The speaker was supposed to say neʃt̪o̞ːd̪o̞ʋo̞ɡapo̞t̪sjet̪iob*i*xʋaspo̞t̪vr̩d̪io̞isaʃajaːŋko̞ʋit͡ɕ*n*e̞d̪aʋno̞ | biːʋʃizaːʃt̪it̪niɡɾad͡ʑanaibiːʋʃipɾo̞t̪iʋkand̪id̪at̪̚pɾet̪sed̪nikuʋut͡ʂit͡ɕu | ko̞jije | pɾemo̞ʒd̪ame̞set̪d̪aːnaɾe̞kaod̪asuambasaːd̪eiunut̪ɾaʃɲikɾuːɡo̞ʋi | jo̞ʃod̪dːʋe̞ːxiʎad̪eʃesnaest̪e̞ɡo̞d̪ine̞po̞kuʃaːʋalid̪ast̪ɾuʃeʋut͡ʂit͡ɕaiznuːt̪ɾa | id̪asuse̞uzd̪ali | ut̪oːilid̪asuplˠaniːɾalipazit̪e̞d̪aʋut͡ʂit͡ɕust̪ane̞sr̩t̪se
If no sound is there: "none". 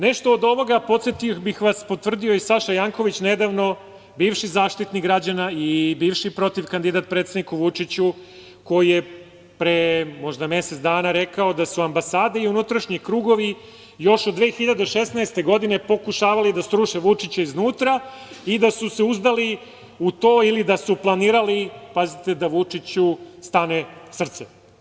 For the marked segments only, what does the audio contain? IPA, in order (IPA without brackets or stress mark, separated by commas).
i, n